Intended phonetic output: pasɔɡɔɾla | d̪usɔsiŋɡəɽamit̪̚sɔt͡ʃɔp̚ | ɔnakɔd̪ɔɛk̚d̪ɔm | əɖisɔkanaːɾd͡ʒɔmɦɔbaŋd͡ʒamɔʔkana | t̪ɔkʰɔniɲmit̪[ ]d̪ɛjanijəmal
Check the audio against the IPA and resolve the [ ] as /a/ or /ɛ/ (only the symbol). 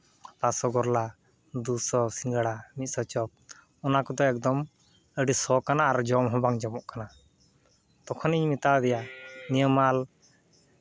a